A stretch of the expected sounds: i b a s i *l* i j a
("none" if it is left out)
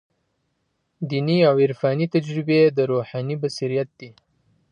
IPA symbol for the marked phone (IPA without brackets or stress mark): ɾ